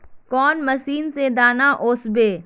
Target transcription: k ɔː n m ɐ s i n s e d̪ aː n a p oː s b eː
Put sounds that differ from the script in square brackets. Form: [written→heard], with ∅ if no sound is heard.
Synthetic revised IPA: k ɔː n m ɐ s [i→iː] n s e d̪ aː n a [p→ʔ] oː s b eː

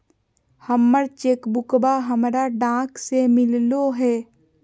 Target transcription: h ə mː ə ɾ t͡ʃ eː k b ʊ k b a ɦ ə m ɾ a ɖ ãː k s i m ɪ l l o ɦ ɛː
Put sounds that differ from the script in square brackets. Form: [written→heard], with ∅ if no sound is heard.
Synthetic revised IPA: h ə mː ə ɾ t͡ʃ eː k b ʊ k b a ɦ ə m ɾ a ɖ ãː k s [i→e] m ɪ l l o ɦ ɛː

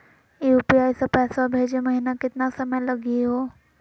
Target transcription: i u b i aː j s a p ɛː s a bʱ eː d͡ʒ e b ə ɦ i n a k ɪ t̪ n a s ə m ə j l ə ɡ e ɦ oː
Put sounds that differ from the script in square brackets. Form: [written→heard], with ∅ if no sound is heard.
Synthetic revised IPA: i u [b→p] i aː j s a p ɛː s a bʱ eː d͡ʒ e [b→m] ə ɦ i n a k ɪ t̪ n a s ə m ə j l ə ɡ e ɦ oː

